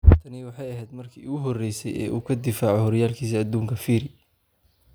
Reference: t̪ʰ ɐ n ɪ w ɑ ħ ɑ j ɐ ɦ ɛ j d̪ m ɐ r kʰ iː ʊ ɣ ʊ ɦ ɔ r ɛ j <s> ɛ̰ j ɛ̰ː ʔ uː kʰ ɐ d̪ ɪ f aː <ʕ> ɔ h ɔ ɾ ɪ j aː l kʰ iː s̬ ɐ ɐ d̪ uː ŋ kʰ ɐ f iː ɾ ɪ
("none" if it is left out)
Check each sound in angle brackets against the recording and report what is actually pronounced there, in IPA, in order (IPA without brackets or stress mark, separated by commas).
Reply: s, ʕ